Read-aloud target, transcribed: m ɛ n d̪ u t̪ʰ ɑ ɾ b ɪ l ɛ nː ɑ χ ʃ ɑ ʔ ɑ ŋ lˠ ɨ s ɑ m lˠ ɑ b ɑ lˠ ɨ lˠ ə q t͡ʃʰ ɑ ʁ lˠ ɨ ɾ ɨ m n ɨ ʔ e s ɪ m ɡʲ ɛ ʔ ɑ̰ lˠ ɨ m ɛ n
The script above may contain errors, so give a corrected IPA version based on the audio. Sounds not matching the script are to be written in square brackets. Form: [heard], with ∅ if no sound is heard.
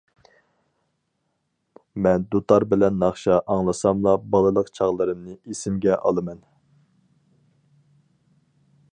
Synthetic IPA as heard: m ɛ n d̪ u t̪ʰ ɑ ɾ b ɪ l ɛ nː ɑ χ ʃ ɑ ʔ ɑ ŋ lˠ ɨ s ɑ m lˠ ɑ b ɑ lˠ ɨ lˠ ə q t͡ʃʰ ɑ ʁ lˠ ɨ ɾ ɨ m n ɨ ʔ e s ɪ m ɡʲ ɛ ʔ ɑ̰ lˠ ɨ m ɛ n

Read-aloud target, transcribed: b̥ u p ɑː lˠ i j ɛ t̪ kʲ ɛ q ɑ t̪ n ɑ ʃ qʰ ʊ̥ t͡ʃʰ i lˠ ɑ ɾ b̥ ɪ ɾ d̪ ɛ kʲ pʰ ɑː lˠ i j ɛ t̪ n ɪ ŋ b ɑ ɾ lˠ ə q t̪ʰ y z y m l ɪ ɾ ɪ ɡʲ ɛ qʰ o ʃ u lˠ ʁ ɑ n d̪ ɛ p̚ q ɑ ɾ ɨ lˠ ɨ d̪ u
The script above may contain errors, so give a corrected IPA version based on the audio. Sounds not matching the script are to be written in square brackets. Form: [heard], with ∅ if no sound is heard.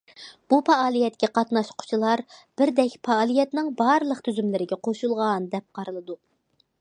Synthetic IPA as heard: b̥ u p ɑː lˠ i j ɛ t̪ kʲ ɛ q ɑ t̪ n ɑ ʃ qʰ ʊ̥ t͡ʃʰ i lˠ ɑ ɾ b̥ ɪ ɾ d̪ ɛ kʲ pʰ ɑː lˠ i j ɛ t̪ n ɪ ŋ b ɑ ɾ lˠ ə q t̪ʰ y z y m l ɪ ɾ ɪ ɡʲ ɛ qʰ o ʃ u lˠ ʁ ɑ n d̪ ɛ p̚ q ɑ ɾ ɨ lˠ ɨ d̪ u

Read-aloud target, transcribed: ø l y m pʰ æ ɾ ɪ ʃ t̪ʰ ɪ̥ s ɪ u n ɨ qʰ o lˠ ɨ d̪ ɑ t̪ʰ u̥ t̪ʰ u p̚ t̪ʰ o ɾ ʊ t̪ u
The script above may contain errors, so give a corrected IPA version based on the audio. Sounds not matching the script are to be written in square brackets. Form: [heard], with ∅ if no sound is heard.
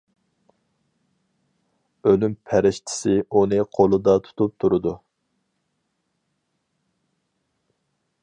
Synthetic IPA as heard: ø l y m pʰ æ ɾ ɪ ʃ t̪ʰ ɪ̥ s ɪ u n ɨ qʰ o lˠ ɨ d̪ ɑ t̪ʰ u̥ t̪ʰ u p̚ t̪ʰ [u] ɾ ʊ [d̪] u

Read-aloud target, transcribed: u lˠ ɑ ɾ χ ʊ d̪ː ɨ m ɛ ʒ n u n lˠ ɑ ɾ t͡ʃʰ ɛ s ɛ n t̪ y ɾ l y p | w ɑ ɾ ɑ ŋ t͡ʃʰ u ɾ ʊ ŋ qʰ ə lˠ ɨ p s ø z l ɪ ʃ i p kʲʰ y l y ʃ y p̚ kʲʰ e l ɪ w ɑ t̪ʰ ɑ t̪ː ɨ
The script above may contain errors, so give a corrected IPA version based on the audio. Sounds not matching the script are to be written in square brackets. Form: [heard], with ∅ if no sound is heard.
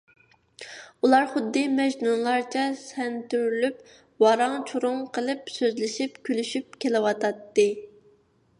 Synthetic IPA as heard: u lˠ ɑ ɾ χ ʊ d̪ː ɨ m ɛ ʒ n u n lˠ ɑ ɾ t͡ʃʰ ɛ s ɛ n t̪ y ɾ l y p | w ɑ ɾ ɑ ŋ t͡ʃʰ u ɾ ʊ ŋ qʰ ə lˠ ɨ p s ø z l ɪ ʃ i p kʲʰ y l y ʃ y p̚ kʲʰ e l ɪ w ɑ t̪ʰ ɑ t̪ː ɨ

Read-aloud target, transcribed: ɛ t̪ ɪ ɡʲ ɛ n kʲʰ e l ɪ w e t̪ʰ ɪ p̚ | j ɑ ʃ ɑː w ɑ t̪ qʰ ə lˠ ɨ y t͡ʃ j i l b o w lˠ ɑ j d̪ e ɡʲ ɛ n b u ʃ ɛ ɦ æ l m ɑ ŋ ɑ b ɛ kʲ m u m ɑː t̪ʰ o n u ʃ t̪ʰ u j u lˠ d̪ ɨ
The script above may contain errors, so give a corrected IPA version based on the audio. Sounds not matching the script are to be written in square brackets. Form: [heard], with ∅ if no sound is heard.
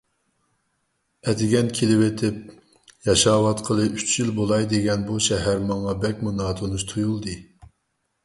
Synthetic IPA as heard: ɛ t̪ ɪ ɡʲ ɛ n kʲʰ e l ɪ w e t̪ʰ ɪ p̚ | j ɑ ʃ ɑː w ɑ t̪ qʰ ə lˠ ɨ y t͡ʃ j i l b o [∅] lˠ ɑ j d̪ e ɡʲ ɛ n b u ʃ ɛ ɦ æ [ɾ] m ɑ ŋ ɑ b ɛ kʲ m u [n] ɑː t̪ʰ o n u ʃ t̪ʰ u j u lˠ d̪ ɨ

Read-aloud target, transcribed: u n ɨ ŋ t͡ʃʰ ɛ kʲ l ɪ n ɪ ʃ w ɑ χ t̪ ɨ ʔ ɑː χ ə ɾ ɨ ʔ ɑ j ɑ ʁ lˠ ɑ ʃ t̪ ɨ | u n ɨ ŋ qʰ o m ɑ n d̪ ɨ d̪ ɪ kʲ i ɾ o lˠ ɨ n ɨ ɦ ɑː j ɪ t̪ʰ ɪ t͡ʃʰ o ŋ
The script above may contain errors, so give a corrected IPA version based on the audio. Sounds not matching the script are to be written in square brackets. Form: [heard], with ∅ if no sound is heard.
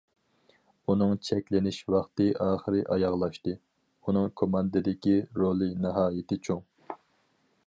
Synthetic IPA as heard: u n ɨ ŋ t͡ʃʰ ɛ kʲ l ɪ n ɪ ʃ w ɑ χ t̪ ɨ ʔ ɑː χ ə ɾ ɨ ʔ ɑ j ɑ ʁ lˠ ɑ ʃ t̪ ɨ | u n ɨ ŋ [kʰ] o m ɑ n d̪ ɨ d̪ ɪ kʲ i ɾ o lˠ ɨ n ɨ ɦ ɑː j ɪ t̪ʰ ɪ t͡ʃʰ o ŋ

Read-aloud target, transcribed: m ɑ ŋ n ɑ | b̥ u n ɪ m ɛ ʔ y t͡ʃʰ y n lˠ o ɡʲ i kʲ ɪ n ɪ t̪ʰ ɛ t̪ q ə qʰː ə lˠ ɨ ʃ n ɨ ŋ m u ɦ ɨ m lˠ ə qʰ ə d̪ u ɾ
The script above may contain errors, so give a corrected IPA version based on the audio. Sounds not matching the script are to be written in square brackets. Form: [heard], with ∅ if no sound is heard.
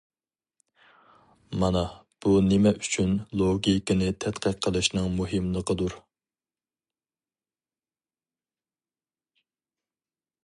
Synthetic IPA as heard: m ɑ [∅] n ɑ | b̥ u n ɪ m ɛ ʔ y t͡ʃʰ y n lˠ o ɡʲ i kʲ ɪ n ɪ t̪ʰ ɛ t̪ q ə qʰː ə lˠ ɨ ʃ n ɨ ŋ m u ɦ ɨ m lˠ ə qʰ ə d̪ u ɾ

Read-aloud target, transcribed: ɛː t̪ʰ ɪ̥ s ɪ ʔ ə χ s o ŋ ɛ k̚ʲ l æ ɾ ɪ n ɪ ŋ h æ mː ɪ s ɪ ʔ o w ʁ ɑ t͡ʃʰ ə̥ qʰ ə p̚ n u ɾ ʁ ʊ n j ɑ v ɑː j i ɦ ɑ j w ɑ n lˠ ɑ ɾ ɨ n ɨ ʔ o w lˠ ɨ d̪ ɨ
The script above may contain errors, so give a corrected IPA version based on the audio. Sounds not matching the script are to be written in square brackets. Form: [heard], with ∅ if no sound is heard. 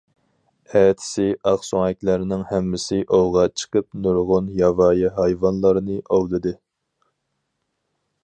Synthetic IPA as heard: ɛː t̪ʰ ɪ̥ s ɪ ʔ [ɑ] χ s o ŋ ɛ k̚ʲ l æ ɾ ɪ n ɪ ŋ h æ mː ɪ s ɪ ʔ o w ʁ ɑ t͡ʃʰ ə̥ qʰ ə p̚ n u ɾ ʁ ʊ n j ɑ v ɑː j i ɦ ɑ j [v] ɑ n lˠ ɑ ɾ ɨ n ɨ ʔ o w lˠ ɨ d̪ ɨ

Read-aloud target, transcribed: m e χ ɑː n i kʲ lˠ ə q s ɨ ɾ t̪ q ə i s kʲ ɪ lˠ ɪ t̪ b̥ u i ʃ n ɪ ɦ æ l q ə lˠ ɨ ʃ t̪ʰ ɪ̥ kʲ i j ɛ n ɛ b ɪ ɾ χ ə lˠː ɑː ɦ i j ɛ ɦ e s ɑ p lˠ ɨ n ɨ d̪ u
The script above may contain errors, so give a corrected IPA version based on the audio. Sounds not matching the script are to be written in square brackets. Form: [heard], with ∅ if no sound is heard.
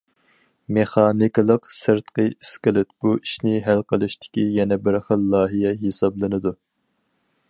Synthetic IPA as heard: m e χ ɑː n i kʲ lˠ ə q s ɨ ɾ t̪ q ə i s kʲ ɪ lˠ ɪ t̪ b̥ u i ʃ n ɪ ɦ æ l q ə lˠ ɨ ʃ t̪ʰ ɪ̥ kʲ i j ɛ n ɛ b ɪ ɾ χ ə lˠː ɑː ɦ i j ɛ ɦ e s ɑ [b] lˠ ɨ n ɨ d̪ u

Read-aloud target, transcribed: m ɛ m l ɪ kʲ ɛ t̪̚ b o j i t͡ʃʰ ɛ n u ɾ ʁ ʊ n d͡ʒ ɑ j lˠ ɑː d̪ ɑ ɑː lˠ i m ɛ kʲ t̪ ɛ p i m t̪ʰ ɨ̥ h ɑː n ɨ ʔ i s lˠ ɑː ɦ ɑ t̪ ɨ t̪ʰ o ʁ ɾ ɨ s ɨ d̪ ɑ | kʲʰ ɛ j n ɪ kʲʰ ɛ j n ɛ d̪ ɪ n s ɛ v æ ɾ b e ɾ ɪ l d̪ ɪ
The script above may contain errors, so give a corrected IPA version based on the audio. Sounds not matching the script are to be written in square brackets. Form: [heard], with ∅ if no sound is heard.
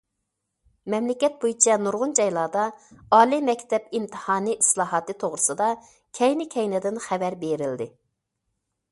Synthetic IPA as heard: m ɛ m l ɪ kʲ ɛ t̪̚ b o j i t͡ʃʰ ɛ n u ɾ ʁ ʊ n d͡ʒ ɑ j lˠ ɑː d̪ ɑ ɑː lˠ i m ɛ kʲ t̪ ɛ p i m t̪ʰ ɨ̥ h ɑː n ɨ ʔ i s lˠ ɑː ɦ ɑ t̪ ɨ t̪ʰ o ʁ ɾ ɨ s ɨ d̪ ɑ | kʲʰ ɛ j n ɪ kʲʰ ɛ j n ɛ d̪ ɪ n [χ] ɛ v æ ɾ b e ɾ ɪ l d̪ ɪ

